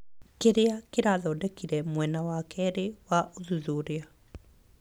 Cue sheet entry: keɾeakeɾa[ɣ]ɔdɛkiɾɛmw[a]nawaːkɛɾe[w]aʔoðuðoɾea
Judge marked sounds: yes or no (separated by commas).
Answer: no, no, yes